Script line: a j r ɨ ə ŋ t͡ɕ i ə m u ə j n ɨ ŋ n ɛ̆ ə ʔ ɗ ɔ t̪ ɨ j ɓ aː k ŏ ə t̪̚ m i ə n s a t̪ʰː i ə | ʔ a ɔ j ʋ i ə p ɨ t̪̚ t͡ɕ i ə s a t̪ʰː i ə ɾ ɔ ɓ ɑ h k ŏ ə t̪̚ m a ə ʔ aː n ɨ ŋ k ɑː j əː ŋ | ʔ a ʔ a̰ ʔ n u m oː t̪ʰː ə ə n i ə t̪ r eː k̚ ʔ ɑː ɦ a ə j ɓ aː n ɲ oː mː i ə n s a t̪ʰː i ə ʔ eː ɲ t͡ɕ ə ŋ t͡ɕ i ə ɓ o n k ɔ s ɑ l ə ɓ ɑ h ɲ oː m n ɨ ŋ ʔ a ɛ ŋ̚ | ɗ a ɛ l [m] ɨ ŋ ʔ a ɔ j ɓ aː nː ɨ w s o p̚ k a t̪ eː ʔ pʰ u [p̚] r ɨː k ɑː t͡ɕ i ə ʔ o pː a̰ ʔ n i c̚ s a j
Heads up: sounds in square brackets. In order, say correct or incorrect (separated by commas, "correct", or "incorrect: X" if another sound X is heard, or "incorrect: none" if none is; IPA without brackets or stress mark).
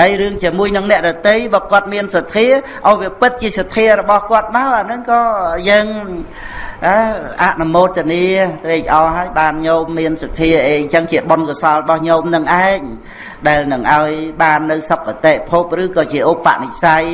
incorrect: n, correct